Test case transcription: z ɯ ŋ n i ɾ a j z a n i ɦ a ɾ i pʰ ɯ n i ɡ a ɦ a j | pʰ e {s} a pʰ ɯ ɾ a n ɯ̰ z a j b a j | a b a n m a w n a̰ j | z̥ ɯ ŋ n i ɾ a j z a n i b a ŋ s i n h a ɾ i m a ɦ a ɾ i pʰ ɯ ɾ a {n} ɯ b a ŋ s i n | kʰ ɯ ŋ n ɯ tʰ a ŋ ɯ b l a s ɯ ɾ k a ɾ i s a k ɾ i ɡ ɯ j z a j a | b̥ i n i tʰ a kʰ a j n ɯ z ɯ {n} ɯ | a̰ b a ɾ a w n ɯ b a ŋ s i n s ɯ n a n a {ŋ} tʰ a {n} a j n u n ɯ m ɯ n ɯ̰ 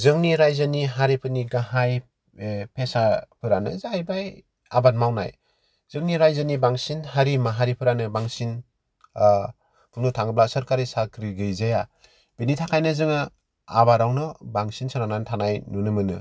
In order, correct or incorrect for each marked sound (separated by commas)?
correct, correct, incorrect, incorrect, correct